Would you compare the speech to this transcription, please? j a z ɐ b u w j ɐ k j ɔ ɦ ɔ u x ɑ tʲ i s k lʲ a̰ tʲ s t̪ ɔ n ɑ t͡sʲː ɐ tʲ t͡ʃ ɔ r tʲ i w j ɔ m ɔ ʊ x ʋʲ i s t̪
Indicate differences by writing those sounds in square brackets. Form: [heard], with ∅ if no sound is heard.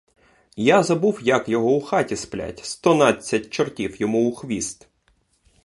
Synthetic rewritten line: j a z ɐ b u w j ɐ k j ɔ ɦ ɔ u x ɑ tʲ i s [p] lʲ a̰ tʲ s t̪ ɔ n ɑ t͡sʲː ɐ tʲ t͡ʃ ɔ r tʲ i w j ɔ m [u] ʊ x ʋʲ i s t̪

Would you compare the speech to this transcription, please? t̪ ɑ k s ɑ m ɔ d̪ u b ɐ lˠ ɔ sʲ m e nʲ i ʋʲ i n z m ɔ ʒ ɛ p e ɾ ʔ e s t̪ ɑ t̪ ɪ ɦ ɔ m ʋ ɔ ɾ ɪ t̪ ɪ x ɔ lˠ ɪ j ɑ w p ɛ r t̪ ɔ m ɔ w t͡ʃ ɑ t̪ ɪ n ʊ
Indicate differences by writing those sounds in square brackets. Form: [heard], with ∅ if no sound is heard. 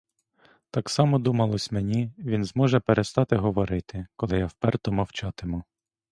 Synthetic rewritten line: t̪ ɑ k s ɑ m ɔ d̪ u [m] ɐ lˠ ɔ sʲ m e nʲ i ʋʲ i n z m ɔ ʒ ɛ p e ɾ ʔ e s t̪ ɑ t̪ ɪ ɦ ɔ [∅] ʋ ɔ ɾ ɪ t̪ ɪ [k] ɔ lˠ ɪ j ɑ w p ɛ r t̪ ɔ m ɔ w t͡ʃ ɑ t̪ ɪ [m] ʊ

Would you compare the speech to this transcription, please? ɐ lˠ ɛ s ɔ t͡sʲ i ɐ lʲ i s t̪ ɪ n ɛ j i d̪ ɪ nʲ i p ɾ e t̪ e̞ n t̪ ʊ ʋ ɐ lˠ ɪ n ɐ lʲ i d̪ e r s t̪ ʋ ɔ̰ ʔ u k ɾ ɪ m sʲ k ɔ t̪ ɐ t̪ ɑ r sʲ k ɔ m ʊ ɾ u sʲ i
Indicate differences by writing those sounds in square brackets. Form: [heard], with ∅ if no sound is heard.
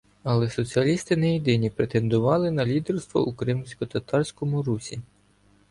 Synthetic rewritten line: ɐ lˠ ɛ s ɔ t͡sʲ i ɐ lʲ i s t̪ ɪ n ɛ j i d̪ ɪ nʲ i p ɾ e t̪ e̞ n [d̪] ʊ ʋ [ɑ] lˠ ɪ n ɐ lʲ i d̪ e r s t̪ ʋ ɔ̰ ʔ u k ɾ ɪ m sʲ k ɔ t̪ ɐ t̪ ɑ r sʲ k ɔ m ʊ ɾ u sʲ i

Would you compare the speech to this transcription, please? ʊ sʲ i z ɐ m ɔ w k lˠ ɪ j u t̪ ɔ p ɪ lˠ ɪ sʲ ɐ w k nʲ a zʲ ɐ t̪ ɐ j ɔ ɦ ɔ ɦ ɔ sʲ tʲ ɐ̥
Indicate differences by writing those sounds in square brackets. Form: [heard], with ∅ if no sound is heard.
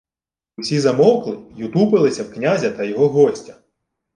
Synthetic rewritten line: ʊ sʲ i z ɐ m ɔ w k lˠ ɪ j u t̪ [u] p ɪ lˠ ɪ sʲ ɐ w k nʲ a zʲ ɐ t̪ ɐ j ɔ ɦ ɔ ɦ ɔ sʲ tʲ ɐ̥

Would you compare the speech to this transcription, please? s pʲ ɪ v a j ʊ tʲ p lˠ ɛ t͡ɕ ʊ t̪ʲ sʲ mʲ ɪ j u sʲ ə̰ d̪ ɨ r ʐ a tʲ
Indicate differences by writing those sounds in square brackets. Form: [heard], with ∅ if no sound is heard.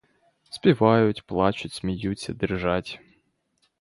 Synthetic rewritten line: s pʲ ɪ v a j ʊ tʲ p lˠ [a] t͡ɕ ʊ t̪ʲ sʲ mʲ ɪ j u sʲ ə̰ d̪ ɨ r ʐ a tʲ

